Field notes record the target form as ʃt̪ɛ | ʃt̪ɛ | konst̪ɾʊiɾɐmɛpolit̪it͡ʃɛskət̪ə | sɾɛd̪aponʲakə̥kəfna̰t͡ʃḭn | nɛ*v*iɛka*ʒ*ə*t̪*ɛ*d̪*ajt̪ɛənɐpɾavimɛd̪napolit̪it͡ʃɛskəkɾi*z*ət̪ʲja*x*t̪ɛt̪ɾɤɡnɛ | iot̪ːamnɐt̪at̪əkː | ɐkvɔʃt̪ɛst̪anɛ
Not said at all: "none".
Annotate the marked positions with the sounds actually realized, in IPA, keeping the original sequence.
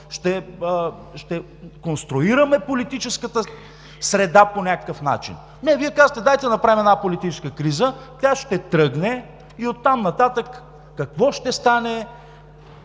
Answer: v, z, t̪, d̪, z, ʃ

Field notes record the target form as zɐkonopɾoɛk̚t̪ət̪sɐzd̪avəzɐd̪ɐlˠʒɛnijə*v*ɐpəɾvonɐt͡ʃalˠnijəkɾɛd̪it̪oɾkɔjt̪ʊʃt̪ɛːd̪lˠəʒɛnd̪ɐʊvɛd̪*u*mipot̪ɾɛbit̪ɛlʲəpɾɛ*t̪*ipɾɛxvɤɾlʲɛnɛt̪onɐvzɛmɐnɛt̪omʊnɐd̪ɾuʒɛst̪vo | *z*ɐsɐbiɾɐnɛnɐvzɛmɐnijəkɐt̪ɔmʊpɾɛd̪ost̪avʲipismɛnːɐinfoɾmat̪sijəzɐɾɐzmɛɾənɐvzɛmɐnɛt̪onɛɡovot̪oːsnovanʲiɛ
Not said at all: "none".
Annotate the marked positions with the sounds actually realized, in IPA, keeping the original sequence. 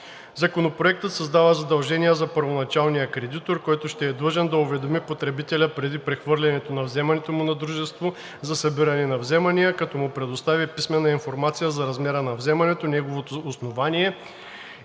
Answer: z, o, d̪, z

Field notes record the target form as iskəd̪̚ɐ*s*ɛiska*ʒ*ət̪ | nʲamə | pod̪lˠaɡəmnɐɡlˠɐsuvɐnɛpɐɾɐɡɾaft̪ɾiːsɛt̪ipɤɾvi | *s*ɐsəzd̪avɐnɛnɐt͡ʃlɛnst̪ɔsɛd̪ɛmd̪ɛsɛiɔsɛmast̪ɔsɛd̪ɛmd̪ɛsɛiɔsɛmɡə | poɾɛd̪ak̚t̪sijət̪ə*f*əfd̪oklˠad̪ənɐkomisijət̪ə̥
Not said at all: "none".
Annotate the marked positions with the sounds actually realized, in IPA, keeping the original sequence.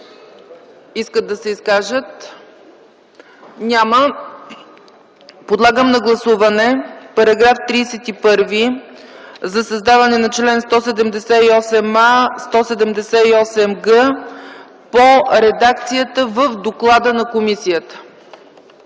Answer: s, ʒ, z, v

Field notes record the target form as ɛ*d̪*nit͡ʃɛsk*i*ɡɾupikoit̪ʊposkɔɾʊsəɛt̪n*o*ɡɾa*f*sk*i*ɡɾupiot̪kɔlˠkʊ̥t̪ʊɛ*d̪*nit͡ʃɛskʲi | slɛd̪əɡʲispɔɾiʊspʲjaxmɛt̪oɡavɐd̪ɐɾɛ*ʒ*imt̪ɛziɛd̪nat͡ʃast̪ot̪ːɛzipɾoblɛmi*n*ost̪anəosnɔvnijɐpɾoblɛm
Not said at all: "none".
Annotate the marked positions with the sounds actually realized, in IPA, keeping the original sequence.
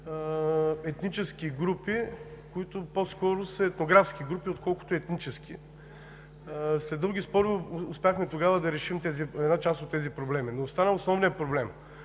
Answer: t̪, i, o, f, i, t̪, ʃ, n

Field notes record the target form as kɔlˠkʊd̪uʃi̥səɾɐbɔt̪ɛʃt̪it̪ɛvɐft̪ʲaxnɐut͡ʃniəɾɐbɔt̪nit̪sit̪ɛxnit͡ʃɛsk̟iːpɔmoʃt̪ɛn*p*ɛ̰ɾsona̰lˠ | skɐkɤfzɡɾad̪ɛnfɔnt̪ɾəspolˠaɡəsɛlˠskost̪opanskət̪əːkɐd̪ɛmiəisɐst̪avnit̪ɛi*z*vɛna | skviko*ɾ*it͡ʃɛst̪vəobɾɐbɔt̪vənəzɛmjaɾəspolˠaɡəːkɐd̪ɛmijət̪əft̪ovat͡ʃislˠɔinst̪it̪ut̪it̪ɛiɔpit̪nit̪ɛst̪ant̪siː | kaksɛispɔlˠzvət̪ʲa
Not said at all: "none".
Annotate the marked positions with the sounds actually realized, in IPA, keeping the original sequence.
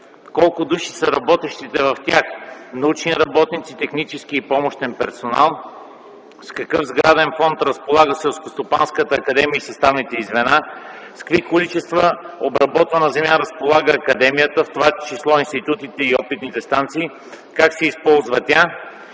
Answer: p, z, l

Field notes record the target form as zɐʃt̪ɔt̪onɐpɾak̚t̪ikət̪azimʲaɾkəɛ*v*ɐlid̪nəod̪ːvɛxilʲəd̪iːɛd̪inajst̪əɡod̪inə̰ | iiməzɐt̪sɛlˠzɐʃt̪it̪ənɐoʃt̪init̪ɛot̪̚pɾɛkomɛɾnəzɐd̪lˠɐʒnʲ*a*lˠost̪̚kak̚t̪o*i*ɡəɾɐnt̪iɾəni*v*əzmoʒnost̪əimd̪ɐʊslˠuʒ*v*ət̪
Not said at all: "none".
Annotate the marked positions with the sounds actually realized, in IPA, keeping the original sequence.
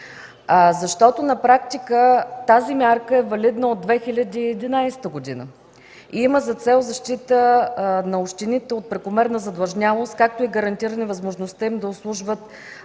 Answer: v, a, i, v, v

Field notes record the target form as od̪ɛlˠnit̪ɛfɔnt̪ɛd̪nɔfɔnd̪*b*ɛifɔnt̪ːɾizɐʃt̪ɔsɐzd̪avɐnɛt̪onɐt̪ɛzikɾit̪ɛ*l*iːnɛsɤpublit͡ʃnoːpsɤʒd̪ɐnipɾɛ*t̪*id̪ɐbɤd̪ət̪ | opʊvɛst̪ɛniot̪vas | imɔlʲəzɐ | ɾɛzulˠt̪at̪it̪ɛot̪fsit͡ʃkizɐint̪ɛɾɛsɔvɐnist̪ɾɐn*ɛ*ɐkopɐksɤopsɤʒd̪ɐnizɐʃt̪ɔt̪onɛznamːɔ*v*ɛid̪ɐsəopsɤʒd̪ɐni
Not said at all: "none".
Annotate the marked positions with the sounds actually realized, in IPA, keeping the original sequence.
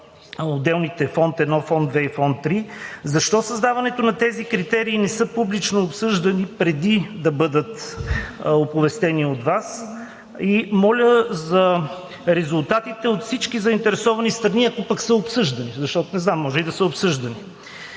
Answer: v, ɾ, d̪, i, ʒ

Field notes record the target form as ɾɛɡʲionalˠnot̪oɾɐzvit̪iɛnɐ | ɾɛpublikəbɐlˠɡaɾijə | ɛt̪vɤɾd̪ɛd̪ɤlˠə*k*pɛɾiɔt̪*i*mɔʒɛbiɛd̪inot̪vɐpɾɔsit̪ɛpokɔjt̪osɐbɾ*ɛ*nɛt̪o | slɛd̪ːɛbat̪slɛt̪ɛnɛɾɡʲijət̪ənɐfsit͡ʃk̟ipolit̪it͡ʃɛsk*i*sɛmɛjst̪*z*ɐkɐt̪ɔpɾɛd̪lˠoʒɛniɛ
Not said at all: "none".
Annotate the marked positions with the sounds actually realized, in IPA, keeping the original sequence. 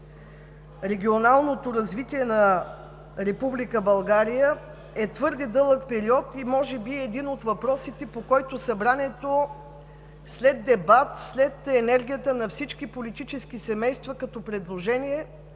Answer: k, i, a, i, v

